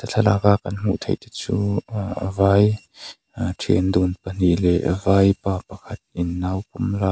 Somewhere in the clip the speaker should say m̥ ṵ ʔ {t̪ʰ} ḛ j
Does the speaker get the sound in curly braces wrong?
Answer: no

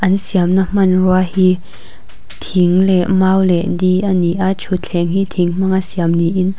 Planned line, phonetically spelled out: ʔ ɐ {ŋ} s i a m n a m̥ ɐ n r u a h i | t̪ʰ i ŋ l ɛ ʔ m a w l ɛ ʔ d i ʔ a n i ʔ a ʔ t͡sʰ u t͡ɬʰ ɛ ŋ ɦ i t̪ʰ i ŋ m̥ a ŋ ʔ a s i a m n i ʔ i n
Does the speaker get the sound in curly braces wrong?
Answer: yes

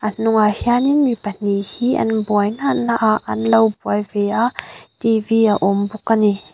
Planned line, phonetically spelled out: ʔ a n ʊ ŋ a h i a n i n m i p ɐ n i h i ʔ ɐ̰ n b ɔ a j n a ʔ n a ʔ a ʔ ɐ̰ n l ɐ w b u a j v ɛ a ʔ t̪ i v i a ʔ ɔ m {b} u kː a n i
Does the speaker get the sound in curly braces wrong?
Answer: no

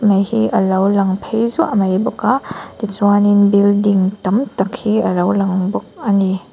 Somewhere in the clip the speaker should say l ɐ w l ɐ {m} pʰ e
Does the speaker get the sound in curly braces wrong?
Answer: yes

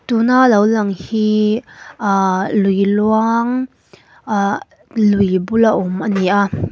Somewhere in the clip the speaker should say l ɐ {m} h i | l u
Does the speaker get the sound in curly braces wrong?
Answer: yes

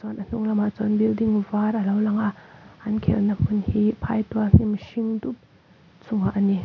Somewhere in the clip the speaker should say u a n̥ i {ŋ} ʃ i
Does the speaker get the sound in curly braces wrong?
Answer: yes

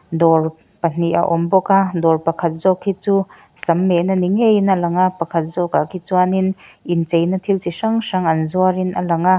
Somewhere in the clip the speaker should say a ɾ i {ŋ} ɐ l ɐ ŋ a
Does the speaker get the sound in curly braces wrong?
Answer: yes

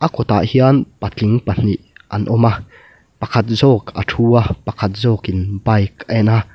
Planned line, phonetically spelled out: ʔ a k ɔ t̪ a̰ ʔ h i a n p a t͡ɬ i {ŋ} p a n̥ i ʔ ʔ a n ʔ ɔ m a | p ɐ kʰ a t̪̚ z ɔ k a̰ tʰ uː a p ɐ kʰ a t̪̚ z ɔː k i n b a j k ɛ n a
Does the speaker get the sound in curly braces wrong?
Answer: no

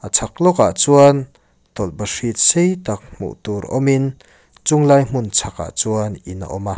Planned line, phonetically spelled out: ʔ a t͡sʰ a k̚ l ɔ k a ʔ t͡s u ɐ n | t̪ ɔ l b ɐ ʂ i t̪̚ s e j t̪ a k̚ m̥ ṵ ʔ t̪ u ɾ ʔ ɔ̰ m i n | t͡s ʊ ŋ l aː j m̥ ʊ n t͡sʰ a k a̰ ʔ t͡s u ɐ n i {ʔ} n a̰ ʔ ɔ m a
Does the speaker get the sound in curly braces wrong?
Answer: yes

